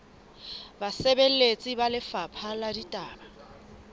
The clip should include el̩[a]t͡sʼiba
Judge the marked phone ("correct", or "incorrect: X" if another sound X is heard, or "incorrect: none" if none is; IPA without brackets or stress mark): incorrect: e